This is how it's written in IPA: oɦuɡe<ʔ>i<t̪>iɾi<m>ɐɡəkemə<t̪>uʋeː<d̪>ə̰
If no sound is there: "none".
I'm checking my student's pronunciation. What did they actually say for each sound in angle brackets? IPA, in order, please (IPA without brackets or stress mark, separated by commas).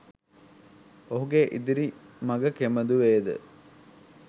ʔ, d̪, m, d̪, d̪